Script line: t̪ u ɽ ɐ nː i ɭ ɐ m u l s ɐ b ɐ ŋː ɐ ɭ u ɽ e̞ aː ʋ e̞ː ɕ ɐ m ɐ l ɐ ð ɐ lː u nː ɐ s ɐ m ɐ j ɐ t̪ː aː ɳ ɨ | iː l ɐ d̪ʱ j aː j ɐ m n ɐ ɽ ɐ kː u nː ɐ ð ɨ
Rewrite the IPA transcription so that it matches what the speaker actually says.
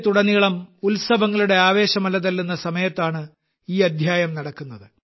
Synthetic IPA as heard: t̪ u ɽ ɐ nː i ɭ ɐ m u l s ɐ b ɐ ŋː ɐ ɭ u ɽ e̞ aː ʋ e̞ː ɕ ɐ m ɐ l ɐ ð ɐ lː u nː ɐ s ɐ m ɐ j ɐ t̪ː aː ɳ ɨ | iː ɐ d̪ʱ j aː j ɐ m n ɐ ɽ ɐ kː u nː ɐ ð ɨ